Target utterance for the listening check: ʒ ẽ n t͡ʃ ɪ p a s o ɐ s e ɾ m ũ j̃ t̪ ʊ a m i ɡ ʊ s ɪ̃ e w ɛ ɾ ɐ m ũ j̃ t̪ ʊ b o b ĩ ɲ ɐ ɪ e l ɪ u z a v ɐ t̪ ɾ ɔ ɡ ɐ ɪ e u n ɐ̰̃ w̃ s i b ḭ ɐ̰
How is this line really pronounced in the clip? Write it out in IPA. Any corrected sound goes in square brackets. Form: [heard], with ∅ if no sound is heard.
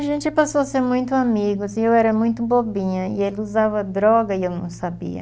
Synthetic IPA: ʒ ẽ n t͡ʃ ɪ p a s o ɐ s e ɾ m ũ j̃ t̪ ʊ a m i ɡ ʊ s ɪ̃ e w ɛ ɾ ɐ m ũ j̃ t̪ ʊ b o b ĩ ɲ ɐ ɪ e l ɪ u z a v ɐ [d̪] ɾ ɔ ɡ ɐ ɪ e [w] n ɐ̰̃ w̃ s [a] b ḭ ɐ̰